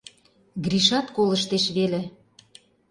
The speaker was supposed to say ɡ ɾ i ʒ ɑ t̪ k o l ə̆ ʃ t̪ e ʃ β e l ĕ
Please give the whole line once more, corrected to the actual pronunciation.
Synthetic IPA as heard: ɡ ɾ i ʃ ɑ t̪ k o l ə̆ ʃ t̪ e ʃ β e l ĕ

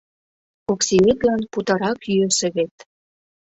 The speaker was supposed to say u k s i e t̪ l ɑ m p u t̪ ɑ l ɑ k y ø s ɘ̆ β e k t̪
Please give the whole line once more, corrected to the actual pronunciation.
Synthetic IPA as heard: o k s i e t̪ l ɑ n p u t̪ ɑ ɾ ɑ k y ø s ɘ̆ β e t̪

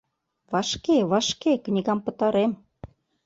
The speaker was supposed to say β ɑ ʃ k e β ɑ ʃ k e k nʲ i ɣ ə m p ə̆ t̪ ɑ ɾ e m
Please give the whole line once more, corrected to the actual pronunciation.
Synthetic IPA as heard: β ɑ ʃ k e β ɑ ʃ k e k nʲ i ɣ ɑ m p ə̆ t̪ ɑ ɾ e m

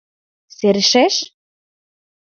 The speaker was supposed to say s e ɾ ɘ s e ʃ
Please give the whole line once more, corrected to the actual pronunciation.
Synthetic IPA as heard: s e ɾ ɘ ʃ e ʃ

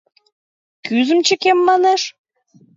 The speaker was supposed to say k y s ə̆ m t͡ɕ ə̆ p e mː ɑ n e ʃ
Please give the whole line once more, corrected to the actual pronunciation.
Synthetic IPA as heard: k y z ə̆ m t͡ɕ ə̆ k e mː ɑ n e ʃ

